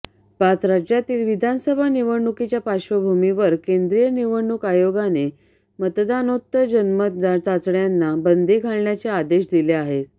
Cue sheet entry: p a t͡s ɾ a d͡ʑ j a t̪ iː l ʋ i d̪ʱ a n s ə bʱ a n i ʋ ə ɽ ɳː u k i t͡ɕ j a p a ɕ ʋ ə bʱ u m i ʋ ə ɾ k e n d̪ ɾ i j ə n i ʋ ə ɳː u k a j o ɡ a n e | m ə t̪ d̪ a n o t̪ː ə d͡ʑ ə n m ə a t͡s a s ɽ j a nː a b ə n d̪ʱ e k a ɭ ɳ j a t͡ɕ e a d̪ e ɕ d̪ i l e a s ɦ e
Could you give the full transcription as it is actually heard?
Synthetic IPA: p a t͡s ɾ a d͡ʑ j a t̪ iː l ʋ i d̪ʱ a n s ə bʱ a n i ʋ ə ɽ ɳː u k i t͡ɕ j a p a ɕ ʋ ə bʱ u m i ʋ ə ɾ k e n d̪ ɾ i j ə n i ʋ ə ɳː u k a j o ɡ a n e | m ə t̪ d̪ a n o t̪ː ə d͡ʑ ə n m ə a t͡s a t͡s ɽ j a nː a b ə n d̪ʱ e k a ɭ ɳ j a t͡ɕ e a d̪ e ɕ d̪ i l e a ɦ e